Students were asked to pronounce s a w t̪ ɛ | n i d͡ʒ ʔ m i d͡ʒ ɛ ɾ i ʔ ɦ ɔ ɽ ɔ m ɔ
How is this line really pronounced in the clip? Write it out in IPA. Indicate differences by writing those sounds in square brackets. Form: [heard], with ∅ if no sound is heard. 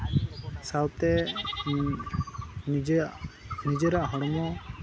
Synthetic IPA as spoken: s a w t̪ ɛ | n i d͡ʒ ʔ [n] i d͡ʒ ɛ ɾ [a] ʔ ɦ ɔ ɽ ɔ m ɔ